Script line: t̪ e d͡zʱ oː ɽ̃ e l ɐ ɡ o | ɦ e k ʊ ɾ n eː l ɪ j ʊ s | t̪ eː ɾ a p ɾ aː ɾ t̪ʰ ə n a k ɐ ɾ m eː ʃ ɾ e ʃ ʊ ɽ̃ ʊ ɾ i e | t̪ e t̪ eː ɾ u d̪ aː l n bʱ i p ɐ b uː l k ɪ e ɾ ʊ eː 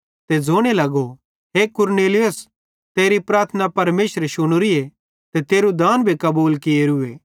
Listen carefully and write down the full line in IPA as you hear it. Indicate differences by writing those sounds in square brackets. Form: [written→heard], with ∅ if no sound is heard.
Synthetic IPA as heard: t̪ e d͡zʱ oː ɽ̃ e l ɐ ɡ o | ɦ e k ʊ ɾ n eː l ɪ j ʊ s | t̪ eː ɾ [a→i] p ɾ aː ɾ t̪ʰ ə n a [k→p] ɐ ɾ m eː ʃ ɾ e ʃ ʊ ɽ̃ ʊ ɾ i e | t̪ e t̪ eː ɾ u d̪ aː [l→∅] n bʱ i [p→k] ɐ b uː l k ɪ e ɾ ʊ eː